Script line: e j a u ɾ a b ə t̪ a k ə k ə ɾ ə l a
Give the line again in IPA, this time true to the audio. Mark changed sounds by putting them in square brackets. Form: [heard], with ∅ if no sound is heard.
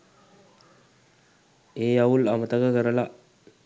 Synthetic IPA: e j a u [l] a [m] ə t̪ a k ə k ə ɾ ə l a